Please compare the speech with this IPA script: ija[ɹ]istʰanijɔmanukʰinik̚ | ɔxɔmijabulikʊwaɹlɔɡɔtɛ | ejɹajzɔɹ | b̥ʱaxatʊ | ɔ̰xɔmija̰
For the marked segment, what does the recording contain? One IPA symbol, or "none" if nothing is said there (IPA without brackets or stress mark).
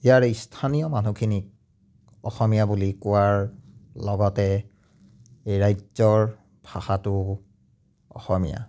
ɹ